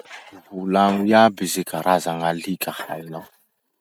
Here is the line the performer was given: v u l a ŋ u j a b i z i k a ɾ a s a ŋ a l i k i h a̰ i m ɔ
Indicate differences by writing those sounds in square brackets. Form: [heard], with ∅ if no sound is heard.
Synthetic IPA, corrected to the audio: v u l a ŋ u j a b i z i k a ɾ a [z] a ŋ a l i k [a] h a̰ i [n] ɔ